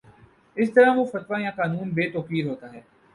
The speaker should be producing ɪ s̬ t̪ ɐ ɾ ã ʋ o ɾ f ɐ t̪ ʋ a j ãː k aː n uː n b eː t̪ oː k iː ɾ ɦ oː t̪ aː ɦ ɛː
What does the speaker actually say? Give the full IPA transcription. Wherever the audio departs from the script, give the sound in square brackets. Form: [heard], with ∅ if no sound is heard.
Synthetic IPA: ɪ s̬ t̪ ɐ ɾ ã ʋ o [∅] f ɐ t̪ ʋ a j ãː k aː n uː n b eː t̪ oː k iː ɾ ɦ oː t̪ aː ɦ ɛː